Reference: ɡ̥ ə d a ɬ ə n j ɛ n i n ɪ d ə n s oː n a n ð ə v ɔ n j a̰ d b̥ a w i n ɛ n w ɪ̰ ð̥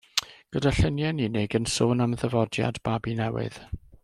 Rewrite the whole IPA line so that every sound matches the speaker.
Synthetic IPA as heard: ɡ̥ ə d a ɬ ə n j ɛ n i n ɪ ɡ ə n s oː n a m ð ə v ɔ d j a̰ d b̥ a b i n ɛ w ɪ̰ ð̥